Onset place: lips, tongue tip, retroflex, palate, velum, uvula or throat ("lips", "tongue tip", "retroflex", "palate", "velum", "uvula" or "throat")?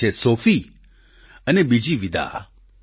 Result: tongue tip